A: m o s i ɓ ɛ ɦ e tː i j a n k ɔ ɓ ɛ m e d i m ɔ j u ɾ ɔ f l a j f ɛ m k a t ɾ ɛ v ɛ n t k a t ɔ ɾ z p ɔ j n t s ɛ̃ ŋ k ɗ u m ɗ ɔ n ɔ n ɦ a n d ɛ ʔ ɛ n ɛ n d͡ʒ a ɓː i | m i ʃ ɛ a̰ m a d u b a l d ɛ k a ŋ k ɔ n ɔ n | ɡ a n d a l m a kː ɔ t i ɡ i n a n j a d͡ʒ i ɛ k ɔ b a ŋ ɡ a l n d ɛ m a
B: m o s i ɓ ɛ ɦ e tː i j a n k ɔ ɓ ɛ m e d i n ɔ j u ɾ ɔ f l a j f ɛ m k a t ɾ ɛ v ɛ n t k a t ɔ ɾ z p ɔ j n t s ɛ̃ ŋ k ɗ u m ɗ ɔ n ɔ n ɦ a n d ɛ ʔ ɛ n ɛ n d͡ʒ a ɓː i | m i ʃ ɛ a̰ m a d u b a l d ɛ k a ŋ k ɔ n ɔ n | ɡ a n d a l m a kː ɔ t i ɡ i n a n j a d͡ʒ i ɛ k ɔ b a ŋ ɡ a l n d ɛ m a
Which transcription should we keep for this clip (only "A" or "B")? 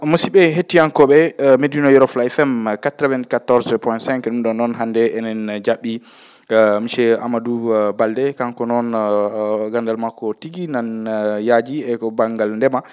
B